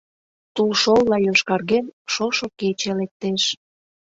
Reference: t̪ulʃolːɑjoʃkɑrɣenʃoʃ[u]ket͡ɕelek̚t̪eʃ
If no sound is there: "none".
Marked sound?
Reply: o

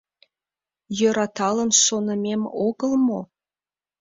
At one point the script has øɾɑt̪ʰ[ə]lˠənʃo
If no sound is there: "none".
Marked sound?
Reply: ɑ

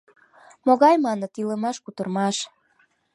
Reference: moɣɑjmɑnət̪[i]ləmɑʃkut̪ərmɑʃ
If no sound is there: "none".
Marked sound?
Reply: i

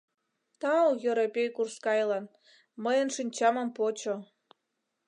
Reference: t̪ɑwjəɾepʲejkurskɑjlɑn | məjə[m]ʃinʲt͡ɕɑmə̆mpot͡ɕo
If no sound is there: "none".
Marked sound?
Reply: n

